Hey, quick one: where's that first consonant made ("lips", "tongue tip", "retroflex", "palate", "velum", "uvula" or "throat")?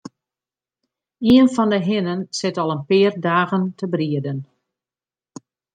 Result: tongue tip